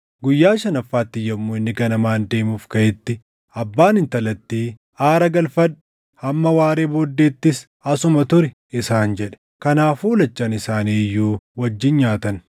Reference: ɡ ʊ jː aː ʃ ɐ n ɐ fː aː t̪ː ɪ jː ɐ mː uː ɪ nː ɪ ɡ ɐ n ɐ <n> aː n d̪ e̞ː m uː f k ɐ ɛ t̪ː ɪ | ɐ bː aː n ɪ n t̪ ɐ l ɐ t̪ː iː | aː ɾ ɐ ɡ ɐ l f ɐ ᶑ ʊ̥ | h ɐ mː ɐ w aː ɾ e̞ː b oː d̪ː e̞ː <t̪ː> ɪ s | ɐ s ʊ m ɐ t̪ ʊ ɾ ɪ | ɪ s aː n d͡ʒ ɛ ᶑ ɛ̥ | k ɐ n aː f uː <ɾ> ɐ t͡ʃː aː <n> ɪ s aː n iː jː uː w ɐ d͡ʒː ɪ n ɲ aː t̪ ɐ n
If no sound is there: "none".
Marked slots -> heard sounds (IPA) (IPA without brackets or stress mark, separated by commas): m, t̪ː, l, n